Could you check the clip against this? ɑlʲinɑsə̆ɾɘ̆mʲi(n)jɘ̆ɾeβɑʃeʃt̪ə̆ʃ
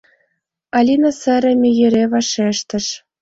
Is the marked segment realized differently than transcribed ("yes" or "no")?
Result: yes